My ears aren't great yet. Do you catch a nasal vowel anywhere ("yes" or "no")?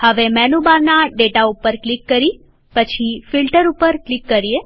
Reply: no